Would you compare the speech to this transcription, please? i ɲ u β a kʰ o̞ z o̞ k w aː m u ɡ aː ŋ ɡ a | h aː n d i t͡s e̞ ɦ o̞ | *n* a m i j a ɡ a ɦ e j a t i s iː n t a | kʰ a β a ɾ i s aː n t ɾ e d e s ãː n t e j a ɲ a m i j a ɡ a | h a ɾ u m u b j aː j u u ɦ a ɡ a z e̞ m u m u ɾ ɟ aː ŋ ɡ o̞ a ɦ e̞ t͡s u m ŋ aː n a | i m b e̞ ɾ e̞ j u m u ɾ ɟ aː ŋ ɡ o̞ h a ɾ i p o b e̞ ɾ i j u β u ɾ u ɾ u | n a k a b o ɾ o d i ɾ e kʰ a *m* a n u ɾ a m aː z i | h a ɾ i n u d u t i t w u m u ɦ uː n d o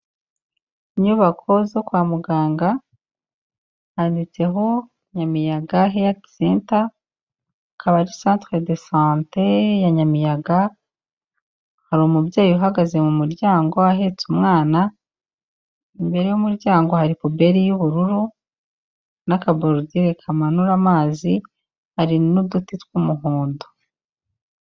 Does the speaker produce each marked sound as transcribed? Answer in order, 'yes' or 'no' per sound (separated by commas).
no, yes